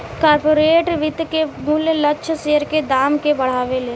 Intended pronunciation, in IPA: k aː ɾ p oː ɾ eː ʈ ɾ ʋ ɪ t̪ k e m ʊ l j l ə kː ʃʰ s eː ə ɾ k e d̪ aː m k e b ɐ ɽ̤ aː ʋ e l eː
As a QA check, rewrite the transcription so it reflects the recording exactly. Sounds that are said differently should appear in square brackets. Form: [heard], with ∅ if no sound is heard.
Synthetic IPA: k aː ɾ p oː ɾ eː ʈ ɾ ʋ ɪ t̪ k e m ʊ l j l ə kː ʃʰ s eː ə ɾ k e d̪ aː m k e b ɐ ɽ̤ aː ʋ e l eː